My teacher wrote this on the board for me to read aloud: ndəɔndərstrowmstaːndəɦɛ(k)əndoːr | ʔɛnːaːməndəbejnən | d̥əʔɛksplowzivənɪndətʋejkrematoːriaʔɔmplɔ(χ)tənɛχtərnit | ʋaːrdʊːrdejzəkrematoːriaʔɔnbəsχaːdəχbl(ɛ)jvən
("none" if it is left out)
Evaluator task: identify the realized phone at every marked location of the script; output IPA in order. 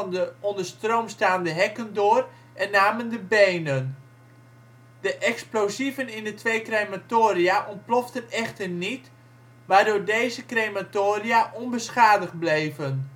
k, f, e

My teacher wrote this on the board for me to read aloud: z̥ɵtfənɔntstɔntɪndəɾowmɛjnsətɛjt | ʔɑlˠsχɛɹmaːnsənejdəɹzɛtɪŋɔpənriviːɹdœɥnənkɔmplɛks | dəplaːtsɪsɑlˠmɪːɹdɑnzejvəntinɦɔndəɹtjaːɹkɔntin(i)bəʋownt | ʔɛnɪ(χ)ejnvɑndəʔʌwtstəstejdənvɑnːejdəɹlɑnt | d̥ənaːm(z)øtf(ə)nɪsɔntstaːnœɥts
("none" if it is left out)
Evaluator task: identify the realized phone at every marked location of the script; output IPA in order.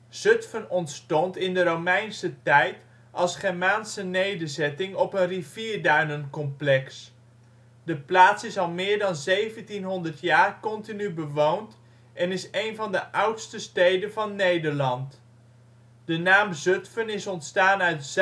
y, s, z, ə

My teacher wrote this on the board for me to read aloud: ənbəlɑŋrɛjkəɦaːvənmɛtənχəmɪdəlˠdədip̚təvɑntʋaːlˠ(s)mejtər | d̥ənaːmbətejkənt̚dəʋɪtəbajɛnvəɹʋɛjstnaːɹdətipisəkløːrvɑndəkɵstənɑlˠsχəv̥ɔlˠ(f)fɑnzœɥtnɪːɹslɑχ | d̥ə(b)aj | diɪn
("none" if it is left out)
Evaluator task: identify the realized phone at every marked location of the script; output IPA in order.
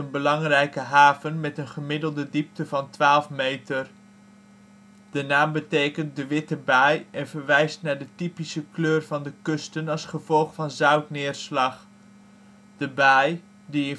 f, χ, b

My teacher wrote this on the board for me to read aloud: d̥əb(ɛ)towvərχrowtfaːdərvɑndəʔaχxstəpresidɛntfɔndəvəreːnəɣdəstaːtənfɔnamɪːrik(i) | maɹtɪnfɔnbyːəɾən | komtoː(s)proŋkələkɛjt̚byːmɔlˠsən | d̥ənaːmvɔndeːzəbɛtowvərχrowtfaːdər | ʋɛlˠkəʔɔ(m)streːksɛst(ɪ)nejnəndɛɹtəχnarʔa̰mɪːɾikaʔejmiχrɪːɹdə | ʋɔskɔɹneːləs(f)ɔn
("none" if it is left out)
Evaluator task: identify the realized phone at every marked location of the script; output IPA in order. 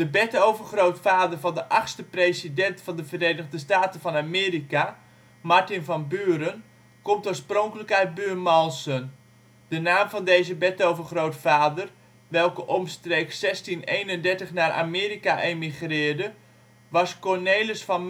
ɛ, a, s, m, i, f

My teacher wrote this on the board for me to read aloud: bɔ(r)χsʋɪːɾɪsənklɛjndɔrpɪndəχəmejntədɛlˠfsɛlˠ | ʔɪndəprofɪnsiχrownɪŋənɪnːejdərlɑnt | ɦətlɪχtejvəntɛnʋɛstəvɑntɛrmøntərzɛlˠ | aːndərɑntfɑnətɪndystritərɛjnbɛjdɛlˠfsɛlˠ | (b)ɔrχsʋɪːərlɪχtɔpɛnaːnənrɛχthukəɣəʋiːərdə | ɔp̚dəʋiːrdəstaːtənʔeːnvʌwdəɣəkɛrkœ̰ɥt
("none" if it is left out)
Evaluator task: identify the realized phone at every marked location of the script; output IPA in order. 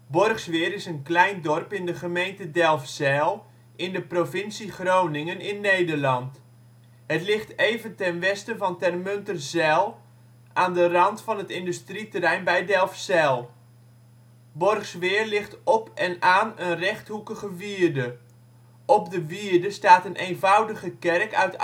r, b

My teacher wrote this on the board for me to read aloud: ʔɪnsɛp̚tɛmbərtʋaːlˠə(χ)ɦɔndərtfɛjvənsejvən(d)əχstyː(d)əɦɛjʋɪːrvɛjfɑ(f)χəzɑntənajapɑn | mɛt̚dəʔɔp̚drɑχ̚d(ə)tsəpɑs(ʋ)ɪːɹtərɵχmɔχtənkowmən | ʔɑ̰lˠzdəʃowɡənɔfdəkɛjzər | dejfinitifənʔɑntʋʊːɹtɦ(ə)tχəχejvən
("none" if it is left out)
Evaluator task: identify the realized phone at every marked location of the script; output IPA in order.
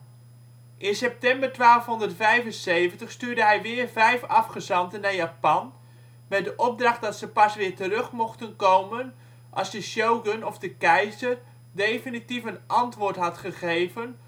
f, t, d, f, ɑ, ʋ, ɑ

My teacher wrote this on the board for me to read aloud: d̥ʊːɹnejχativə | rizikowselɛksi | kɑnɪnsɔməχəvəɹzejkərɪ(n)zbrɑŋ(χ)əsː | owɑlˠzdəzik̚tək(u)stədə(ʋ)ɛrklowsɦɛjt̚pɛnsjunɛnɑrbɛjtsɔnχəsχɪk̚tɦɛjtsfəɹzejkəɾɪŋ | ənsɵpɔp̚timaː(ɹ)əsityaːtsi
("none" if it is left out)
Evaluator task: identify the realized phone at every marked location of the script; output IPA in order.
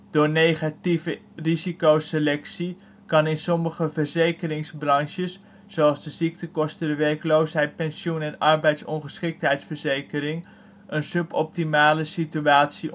ŋ, ʃ, ɔ, ʋ, l

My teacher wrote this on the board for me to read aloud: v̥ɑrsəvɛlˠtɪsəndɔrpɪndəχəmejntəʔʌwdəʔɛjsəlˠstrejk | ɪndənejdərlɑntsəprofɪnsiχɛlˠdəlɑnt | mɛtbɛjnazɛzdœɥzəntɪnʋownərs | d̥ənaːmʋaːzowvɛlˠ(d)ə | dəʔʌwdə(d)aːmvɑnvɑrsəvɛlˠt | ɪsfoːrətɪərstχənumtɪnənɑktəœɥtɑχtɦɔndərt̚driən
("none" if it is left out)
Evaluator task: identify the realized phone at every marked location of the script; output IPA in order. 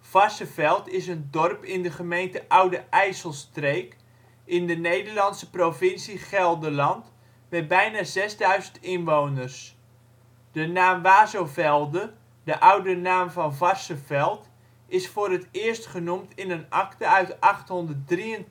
d, n

